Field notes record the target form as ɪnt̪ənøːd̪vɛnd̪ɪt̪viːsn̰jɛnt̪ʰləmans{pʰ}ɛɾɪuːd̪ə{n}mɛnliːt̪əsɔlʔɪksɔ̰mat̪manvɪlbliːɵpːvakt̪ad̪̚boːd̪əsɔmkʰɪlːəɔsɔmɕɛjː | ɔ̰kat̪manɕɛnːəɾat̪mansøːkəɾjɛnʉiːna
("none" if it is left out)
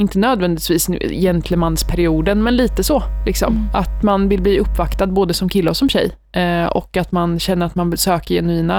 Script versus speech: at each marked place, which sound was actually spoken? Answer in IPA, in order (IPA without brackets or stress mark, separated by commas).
pʰ, n